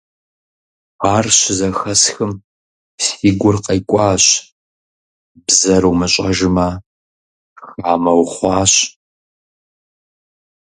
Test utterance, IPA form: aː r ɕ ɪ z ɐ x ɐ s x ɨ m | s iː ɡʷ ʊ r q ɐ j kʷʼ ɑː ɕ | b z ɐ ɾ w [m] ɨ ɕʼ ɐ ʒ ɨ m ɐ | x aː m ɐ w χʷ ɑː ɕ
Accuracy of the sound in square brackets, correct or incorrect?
correct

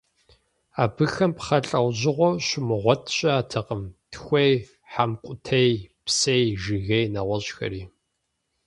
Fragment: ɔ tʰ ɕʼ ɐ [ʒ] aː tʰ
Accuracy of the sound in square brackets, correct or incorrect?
incorrect: none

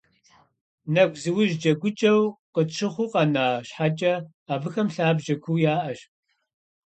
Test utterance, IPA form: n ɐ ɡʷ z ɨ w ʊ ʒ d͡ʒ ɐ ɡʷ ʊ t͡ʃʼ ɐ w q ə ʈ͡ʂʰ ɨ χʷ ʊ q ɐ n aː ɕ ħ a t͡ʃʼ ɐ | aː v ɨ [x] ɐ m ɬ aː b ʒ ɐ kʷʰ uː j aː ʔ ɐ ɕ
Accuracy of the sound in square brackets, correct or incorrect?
correct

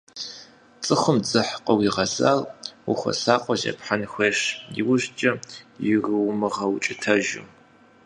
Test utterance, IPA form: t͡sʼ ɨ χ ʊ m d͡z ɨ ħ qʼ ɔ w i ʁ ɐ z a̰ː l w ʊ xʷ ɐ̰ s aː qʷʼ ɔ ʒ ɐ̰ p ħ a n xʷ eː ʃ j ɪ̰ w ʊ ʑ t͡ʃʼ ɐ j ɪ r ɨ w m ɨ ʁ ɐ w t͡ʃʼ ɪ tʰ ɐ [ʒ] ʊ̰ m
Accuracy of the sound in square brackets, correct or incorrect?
correct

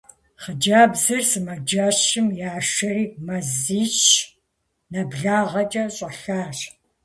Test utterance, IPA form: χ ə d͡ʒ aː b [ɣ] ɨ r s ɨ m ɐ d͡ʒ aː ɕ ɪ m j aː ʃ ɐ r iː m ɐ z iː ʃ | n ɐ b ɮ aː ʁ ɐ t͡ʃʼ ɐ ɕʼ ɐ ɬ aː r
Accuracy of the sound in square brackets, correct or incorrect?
incorrect: z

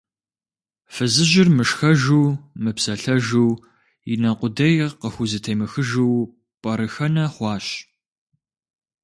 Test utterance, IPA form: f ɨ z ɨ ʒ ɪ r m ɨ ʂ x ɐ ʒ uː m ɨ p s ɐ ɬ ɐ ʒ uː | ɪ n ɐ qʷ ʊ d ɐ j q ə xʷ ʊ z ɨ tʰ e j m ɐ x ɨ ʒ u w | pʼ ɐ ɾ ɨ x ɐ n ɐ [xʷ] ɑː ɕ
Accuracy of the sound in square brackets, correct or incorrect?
incorrect: χʷ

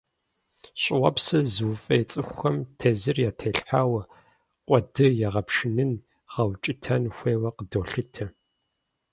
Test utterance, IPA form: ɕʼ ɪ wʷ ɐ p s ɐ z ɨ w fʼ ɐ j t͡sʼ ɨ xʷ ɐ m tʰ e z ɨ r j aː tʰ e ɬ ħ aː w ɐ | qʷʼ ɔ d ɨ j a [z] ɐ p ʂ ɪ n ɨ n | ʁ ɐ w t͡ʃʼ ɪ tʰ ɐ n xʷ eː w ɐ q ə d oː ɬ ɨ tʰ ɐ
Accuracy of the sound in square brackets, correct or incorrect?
incorrect: ʁ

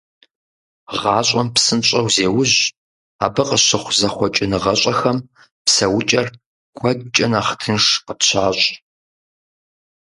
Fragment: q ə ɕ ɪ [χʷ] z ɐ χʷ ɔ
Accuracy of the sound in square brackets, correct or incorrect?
correct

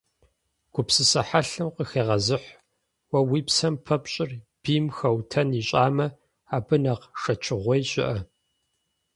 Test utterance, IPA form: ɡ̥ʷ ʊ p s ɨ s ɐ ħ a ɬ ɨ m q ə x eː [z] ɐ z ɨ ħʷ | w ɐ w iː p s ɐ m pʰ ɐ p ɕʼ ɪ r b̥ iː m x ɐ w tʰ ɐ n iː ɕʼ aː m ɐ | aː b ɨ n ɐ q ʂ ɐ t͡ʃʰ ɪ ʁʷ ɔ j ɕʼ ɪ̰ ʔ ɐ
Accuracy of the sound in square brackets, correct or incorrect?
incorrect: ʁ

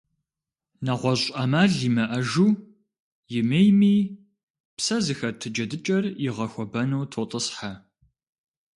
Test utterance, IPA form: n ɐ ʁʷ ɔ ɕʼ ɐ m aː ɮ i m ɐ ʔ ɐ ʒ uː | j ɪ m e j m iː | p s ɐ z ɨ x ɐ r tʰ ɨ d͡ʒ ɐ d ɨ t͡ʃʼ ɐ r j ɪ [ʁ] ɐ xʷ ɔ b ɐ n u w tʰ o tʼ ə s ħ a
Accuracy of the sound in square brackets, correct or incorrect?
correct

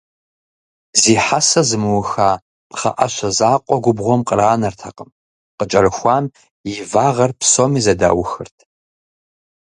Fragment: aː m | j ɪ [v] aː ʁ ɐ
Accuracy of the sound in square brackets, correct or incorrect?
correct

